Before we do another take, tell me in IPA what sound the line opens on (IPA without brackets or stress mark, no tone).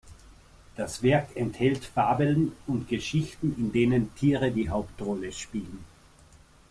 d̥